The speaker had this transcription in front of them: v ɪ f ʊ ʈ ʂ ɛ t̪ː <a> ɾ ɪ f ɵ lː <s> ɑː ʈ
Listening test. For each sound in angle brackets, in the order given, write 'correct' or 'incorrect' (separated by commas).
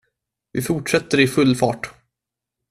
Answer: incorrect, incorrect